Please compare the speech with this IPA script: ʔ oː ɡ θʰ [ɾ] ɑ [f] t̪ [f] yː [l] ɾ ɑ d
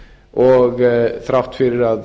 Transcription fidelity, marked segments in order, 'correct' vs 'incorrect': correct, correct, correct, incorrect: ɾ

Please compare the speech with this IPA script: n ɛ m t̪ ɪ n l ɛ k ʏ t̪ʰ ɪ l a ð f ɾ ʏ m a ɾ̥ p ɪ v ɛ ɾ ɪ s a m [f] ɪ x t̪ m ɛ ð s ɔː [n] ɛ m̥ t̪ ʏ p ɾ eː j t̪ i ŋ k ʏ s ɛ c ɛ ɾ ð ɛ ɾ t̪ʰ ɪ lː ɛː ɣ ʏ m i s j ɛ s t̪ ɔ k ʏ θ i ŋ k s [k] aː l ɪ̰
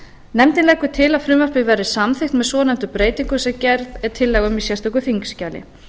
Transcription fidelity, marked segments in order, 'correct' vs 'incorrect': incorrect: θ, correct, incorrect: c

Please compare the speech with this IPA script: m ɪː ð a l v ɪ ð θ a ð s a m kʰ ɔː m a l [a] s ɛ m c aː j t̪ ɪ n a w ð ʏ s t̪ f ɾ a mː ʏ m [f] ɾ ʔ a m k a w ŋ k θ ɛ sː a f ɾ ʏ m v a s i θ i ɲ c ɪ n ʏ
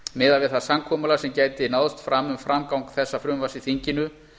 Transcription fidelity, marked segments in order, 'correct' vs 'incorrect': correct, correct

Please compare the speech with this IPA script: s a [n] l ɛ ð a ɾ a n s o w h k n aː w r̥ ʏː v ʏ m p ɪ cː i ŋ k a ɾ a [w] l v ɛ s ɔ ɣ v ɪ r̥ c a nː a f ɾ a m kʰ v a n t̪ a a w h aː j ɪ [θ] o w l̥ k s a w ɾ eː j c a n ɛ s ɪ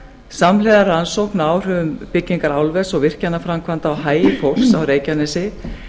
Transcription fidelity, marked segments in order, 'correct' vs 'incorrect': incorrect: m, correct, incorrect: f

